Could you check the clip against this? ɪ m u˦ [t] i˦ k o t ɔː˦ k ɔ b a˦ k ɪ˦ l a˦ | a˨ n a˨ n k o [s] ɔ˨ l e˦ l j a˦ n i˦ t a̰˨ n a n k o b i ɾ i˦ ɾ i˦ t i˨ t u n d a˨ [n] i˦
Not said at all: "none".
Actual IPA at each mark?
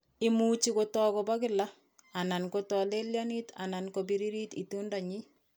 t͡ʃ, t, ɲ

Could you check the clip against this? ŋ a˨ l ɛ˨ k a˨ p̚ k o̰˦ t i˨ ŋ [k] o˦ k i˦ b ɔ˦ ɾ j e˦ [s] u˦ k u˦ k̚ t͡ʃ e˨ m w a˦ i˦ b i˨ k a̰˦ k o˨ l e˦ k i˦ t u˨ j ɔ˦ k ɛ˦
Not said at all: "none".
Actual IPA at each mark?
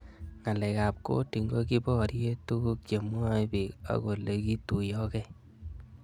ɡ, t

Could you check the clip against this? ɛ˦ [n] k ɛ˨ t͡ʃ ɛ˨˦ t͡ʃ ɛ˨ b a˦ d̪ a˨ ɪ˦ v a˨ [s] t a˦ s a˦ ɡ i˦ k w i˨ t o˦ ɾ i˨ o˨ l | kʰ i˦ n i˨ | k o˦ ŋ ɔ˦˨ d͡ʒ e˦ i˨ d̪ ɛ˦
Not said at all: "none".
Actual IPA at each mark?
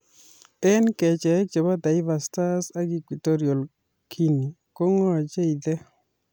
n, s

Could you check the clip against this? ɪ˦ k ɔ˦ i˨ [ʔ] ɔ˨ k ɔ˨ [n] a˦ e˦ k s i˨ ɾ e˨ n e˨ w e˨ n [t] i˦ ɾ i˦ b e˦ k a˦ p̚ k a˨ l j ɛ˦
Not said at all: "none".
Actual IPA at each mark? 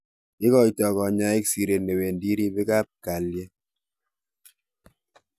t, ɲ, d

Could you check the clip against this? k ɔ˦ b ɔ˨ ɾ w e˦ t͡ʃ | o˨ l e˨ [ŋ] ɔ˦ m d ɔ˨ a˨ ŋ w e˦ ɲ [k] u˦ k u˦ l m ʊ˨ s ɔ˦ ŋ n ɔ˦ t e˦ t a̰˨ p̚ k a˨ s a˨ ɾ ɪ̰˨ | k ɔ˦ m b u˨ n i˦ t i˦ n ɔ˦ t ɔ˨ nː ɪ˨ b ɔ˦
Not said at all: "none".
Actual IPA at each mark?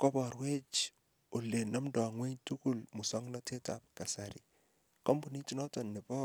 n, t

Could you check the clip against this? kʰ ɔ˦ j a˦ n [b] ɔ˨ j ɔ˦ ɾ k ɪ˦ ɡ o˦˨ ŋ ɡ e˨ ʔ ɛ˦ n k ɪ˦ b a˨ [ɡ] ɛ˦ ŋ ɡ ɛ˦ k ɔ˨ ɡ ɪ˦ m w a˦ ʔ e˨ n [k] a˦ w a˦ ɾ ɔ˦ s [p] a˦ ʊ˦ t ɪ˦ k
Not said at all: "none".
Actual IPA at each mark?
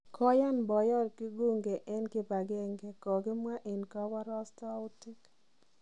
b, ɡ, k, t

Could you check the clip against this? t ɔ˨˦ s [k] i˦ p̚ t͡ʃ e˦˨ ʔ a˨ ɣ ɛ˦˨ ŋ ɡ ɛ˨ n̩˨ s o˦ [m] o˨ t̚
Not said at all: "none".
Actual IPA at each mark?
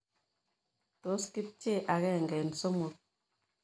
k, m

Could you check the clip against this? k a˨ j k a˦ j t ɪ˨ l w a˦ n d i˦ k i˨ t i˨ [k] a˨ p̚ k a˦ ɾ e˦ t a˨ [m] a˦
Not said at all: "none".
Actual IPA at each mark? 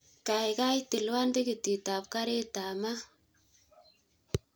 t, m

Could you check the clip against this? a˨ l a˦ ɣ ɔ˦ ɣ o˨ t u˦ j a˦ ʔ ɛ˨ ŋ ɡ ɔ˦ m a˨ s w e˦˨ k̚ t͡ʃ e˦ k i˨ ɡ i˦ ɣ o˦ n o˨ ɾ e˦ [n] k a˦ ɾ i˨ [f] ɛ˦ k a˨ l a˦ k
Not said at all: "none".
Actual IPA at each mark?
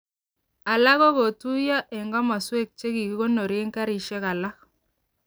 ŋ, ʃ

